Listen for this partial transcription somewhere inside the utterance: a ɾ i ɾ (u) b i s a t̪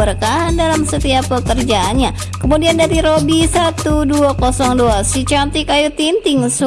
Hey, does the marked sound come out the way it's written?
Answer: no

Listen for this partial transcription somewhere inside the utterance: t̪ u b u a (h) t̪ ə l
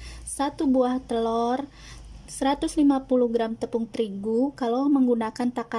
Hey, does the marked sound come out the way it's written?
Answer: yes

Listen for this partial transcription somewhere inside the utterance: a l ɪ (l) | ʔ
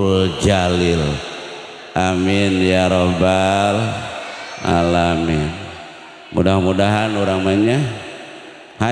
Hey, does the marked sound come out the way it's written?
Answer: yes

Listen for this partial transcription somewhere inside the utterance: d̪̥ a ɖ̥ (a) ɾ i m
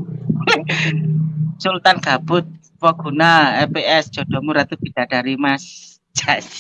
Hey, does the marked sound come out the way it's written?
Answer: yes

